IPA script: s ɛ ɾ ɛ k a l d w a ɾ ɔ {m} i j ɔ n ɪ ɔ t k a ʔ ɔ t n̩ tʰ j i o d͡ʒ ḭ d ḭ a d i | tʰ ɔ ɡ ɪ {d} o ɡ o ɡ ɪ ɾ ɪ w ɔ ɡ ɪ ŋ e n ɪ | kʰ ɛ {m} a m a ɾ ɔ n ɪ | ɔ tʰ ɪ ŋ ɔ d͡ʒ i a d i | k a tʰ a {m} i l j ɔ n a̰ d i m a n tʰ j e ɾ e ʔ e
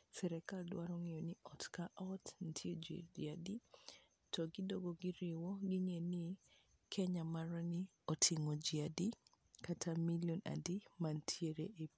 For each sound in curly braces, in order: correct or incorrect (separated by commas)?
incorrect, correct, incorrect, correct